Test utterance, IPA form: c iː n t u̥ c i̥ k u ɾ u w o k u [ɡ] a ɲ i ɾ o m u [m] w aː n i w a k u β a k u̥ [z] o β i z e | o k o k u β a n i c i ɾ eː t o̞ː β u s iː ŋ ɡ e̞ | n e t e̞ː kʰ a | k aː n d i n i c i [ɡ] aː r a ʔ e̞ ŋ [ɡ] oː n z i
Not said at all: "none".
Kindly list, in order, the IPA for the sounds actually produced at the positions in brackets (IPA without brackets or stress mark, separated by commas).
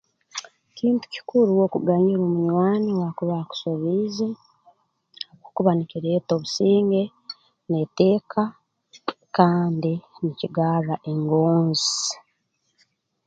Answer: ɡ, ɲ, s, ɡ, ɡ